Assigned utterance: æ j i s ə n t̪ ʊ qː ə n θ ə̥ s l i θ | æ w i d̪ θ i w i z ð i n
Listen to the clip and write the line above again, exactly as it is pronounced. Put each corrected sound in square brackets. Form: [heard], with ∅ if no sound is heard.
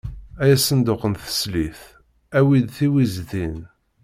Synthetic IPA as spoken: æ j [æ] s ə n [d̪] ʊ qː ə n θ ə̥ s l i θ | æ w i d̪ θ i w i z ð i n